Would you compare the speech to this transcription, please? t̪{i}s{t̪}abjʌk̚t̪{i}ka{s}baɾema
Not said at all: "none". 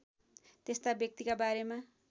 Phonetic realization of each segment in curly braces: e, t̪, i, none

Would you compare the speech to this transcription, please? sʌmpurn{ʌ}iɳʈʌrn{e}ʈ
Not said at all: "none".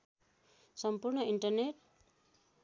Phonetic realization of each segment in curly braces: ʌ, e

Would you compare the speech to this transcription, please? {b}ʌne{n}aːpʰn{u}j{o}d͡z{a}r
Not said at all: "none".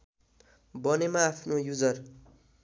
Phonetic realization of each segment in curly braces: b, m, o, u, ʌ

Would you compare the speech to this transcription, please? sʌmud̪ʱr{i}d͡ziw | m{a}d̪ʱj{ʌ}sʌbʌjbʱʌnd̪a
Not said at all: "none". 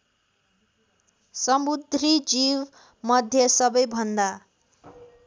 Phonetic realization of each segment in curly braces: i, ʌ, ʌ

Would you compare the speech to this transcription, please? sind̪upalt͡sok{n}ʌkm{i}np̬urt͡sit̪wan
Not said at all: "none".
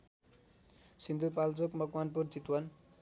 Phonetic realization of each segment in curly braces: m, a

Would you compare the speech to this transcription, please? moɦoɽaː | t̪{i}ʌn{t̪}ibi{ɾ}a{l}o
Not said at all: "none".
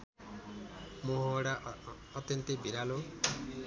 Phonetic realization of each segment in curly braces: j, t̪, ɾ, l

